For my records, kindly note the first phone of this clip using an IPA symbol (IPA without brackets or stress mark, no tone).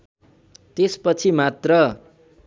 t̪